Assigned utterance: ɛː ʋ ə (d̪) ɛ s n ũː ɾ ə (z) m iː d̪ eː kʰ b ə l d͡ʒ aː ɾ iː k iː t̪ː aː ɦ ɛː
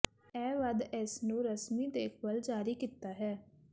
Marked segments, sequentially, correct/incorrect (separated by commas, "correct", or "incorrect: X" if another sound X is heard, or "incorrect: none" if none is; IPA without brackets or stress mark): correct, incorrect: s